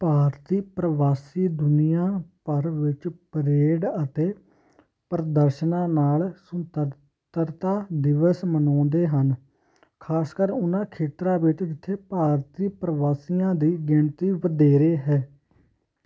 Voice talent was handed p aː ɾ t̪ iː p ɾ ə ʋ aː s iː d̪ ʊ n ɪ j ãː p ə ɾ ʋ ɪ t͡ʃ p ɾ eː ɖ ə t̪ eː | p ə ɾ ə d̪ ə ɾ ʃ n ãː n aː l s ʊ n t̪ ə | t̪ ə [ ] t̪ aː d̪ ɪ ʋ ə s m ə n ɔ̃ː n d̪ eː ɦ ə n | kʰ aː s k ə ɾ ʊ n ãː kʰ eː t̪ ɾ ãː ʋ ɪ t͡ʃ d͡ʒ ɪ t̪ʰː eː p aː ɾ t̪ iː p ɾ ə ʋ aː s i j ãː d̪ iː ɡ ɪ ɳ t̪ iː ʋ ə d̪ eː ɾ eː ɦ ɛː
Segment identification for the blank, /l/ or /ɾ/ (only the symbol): ɾ